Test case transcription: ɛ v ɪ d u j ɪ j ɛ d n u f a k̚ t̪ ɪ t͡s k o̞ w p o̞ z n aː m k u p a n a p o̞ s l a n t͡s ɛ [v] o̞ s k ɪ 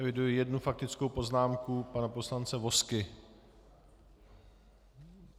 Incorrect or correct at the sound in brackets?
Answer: correct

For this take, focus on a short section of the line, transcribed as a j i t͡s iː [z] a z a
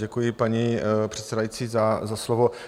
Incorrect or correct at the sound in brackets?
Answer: correct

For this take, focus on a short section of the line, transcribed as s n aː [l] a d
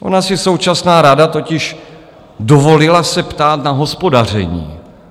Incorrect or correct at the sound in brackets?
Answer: incorrect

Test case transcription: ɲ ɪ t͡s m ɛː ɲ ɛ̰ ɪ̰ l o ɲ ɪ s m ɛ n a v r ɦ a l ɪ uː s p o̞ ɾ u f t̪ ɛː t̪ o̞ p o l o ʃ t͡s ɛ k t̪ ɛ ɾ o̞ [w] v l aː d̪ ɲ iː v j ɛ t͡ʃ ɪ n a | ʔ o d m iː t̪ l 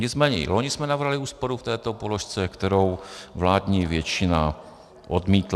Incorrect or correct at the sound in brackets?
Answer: correct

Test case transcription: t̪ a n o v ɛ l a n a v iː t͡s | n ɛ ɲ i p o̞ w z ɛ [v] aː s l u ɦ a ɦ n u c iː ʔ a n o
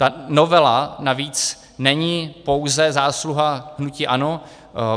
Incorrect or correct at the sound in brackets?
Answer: incorrect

